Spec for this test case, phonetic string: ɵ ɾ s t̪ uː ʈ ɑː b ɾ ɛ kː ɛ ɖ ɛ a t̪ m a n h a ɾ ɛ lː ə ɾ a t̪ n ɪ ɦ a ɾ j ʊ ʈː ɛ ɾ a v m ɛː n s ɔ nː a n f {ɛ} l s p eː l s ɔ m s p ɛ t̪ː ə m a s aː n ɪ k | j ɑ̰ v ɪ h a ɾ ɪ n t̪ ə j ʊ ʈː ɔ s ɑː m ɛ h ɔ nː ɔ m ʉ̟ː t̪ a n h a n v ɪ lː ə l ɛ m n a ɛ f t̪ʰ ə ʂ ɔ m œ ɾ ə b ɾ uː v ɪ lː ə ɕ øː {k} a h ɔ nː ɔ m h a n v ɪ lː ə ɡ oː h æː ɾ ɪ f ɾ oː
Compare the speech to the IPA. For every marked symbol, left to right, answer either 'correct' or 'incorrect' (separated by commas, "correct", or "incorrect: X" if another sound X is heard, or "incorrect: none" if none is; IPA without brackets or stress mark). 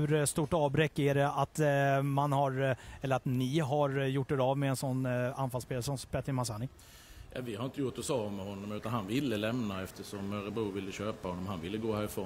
incorrect: a, incorrect: p